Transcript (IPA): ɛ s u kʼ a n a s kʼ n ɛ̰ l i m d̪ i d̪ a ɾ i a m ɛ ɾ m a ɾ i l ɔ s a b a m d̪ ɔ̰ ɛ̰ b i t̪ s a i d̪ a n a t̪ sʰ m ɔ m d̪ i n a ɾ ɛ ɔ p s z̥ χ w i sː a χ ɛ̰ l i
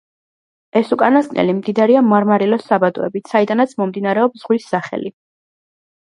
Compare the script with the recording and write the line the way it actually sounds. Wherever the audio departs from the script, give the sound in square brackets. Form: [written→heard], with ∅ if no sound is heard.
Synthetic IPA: ɛ s u kʼ a n a s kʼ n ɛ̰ l i m d̪ i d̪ a ɾ i a m [ɛ→a] ɾ m a ɾ i l ɔ s a b a [m→∅] d̪ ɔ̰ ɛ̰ b i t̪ s a i d̪ a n a t̪ sʰ m ɔ m d̪ i n a ɾ ɛ ɔ p s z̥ [χ→ʁ] w i sː a χ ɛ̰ l i